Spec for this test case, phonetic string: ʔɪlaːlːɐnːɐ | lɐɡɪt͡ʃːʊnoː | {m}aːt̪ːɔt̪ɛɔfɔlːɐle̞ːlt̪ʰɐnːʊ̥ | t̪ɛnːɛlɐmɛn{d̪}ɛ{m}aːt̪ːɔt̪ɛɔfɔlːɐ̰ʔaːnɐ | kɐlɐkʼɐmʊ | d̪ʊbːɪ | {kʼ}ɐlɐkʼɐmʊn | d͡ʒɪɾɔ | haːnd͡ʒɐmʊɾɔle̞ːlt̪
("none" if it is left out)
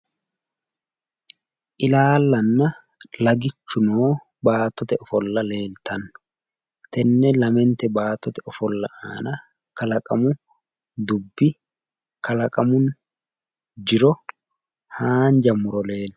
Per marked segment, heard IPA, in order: b, t̪, b, k

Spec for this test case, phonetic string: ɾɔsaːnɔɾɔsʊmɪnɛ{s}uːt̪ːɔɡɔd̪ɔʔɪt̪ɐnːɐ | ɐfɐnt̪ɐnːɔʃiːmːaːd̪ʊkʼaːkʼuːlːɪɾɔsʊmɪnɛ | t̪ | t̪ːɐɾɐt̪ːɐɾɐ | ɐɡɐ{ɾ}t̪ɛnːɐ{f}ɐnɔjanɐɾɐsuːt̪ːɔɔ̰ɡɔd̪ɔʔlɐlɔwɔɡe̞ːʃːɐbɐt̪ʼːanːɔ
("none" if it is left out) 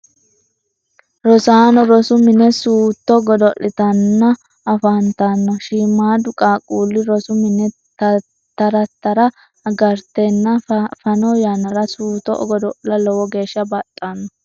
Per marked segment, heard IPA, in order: s, ɾ, f

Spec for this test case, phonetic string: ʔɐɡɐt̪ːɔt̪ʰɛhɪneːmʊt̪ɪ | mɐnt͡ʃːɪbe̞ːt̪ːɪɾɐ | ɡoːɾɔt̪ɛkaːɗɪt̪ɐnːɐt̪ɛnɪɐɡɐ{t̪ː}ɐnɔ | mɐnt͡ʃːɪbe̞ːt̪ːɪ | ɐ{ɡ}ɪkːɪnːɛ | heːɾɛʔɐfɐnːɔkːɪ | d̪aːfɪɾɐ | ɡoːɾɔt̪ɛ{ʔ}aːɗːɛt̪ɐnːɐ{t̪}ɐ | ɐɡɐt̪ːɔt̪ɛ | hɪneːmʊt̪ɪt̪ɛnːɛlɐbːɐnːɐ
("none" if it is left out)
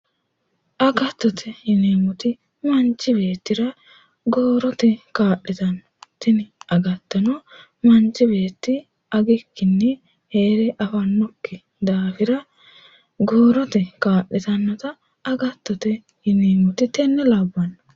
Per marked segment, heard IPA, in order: t̪ː, ɡ, k, t̪

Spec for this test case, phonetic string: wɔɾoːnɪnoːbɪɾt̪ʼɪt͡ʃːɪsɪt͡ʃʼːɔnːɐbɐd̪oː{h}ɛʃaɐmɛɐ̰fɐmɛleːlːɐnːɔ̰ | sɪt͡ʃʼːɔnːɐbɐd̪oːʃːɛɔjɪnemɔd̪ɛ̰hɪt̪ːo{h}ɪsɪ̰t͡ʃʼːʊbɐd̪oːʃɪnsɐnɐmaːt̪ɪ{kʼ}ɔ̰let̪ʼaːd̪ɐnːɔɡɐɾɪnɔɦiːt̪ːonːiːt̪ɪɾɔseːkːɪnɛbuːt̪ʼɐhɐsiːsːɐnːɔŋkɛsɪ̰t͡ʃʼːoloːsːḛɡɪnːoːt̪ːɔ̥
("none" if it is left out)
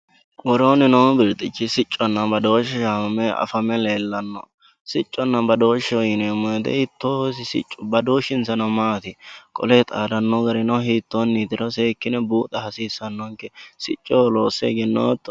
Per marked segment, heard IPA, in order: ʃ, s, kʼ

